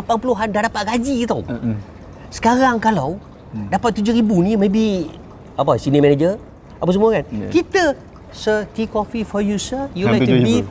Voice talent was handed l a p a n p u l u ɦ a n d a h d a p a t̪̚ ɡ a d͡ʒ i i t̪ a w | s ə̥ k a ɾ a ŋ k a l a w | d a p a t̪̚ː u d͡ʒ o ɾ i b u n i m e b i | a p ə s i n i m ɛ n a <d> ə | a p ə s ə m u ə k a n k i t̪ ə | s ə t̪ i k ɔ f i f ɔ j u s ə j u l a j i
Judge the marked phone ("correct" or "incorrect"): incorrect